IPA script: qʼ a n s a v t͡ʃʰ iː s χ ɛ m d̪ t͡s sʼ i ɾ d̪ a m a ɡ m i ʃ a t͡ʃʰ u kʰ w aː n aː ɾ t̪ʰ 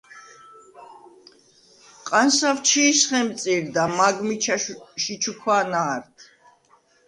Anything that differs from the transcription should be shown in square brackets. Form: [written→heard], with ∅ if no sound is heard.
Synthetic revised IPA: qʼ a n s a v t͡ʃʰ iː s χ ɛ m [d̪→t̪] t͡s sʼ i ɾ d̪ a m a ɡ m i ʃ [a→i] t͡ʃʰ u kʰ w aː n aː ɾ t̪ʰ